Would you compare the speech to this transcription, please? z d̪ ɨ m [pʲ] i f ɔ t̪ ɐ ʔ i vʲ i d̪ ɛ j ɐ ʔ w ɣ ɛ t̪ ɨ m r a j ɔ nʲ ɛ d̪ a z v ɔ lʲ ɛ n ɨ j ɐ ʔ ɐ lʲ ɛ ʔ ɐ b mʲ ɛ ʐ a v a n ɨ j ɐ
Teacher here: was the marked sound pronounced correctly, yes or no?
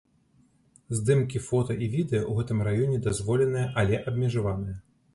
no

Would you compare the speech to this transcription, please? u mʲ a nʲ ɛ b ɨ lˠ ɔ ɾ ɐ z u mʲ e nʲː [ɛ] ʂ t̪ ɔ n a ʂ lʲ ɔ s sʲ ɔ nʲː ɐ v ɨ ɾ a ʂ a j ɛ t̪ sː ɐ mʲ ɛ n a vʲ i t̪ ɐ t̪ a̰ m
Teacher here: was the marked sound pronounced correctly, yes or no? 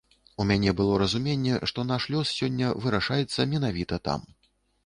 yes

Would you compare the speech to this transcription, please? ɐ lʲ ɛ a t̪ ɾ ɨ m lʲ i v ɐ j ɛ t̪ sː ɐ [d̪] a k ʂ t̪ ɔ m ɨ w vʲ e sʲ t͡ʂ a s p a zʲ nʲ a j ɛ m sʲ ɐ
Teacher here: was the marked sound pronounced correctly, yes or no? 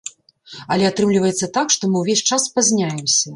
no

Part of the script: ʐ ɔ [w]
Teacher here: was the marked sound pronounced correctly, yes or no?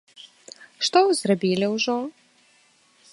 no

